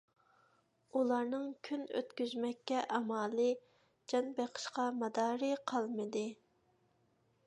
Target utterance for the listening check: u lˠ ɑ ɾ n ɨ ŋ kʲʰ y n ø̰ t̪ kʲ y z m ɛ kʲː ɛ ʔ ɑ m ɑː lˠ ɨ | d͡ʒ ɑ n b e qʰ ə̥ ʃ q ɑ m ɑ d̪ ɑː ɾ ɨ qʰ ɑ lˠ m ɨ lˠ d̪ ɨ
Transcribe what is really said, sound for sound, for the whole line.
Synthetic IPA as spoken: u lˠ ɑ ɾ n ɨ ŋ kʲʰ y n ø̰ t̪ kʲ y z m ɛ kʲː ɛ ʔ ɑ m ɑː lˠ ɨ | d͡ʒ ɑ n b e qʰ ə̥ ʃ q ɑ m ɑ d̪ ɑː ɾ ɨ qʰ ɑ lˠ m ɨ d̪ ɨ